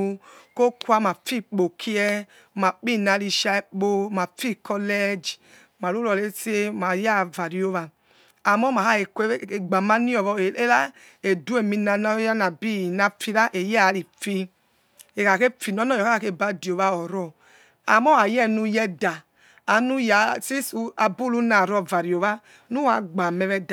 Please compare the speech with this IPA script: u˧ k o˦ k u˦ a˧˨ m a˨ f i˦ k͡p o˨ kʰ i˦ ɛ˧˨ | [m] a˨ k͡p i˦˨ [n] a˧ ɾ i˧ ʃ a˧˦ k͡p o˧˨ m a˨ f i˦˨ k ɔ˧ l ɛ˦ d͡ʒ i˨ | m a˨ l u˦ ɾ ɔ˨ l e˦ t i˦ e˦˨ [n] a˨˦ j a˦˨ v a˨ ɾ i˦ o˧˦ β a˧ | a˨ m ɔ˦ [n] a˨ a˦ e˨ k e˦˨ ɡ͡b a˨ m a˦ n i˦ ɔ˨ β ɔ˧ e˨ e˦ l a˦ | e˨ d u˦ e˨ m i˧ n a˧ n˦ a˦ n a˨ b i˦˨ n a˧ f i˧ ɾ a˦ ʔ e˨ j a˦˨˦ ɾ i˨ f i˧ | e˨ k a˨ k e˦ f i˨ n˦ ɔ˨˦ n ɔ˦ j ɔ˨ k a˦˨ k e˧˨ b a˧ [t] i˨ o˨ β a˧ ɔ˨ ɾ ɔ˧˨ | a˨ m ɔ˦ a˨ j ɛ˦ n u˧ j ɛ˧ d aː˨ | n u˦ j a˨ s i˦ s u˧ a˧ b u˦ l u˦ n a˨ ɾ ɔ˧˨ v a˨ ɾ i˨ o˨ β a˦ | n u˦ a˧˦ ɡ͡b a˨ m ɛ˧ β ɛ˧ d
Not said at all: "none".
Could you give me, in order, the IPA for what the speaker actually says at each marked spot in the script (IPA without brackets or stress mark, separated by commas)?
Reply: m, n, m, m, d